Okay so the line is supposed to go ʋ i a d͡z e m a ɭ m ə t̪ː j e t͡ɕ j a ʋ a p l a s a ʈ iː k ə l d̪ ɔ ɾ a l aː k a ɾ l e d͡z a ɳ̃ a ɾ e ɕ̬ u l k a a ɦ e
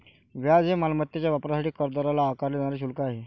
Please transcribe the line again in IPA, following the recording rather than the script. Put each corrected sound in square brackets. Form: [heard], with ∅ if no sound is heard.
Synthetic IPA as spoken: ʋ [j] a d͡z e m a [l] m ə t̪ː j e t͡ɕ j a ʋ a p [ɾ] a s a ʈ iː k ə [ɾ] d̪ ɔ ɾ a l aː k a ɾ l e d͡z a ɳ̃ a ɾ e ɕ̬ u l k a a ɦ e